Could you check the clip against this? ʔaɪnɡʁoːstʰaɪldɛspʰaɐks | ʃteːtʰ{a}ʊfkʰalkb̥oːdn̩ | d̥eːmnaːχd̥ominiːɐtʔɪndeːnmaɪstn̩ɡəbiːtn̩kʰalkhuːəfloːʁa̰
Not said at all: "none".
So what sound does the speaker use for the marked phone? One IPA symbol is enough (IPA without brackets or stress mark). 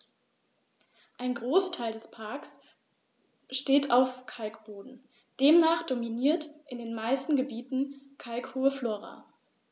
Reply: a